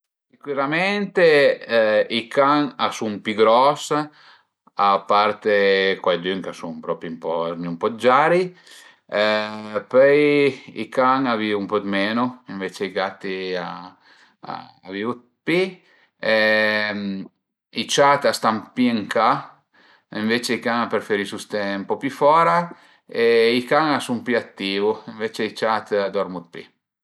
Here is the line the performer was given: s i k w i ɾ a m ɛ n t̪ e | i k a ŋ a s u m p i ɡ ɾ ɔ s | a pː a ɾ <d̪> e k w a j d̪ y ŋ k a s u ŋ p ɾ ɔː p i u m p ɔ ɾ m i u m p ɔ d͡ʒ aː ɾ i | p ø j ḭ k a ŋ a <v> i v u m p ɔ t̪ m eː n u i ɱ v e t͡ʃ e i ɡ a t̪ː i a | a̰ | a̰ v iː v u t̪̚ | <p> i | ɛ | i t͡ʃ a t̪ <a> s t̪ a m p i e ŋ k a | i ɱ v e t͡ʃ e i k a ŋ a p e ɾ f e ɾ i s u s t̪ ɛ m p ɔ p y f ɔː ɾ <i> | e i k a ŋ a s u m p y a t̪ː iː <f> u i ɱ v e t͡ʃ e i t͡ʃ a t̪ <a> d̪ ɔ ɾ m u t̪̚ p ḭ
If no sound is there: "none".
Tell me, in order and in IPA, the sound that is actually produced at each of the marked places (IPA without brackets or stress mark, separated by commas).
t̪, v, p, a, a, v, a